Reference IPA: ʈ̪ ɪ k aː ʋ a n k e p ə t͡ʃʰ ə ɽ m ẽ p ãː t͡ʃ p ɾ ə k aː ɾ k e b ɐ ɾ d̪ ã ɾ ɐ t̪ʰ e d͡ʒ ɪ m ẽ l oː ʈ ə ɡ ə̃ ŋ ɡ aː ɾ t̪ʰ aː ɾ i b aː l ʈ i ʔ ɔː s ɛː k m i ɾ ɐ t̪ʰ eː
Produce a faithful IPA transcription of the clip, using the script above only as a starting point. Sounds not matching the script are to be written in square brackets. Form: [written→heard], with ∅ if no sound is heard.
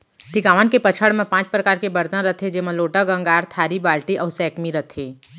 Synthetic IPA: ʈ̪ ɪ k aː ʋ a n k e p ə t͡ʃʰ ə ɽ m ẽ p ãː t͡ʃ p ɾ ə k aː ɾ k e b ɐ ɾ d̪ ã ɾ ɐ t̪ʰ e d͡ʒ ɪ m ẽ l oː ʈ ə ɡ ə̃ ŋ ɡ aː ɾ t̪ʰ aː ɾ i b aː l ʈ i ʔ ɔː s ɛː k m i ɾ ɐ t̪ʰ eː